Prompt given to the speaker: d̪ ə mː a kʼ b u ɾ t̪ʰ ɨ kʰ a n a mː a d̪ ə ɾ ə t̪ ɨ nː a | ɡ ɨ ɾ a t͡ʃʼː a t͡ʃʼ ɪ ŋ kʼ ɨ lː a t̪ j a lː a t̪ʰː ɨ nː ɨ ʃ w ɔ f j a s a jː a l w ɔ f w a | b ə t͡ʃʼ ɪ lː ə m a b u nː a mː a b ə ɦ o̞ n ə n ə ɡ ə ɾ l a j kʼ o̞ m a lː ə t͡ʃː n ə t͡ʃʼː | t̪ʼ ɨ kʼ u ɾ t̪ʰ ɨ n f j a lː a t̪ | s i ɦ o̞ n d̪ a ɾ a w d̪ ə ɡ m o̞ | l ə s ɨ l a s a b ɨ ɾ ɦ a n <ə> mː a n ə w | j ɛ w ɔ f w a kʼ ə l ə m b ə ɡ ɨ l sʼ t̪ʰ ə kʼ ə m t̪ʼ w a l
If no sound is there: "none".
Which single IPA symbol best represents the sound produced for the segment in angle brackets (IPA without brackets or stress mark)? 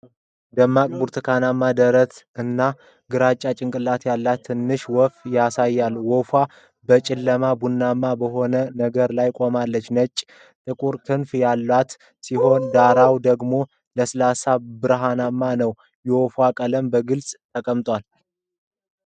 a